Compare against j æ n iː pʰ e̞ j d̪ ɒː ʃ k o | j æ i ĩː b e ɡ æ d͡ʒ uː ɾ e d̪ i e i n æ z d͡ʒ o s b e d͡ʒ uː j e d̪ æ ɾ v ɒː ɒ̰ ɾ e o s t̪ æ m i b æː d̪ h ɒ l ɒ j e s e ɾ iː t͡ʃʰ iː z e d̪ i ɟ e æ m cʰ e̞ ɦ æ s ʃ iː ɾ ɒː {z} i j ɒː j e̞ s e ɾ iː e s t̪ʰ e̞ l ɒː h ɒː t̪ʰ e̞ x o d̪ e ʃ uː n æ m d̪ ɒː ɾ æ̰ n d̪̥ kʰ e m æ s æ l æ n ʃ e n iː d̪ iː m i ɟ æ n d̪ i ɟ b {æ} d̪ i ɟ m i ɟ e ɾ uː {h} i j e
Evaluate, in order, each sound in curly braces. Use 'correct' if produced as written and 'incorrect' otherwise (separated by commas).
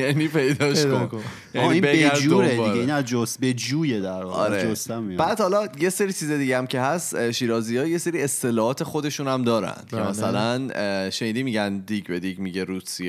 correct, incorrect, incorrect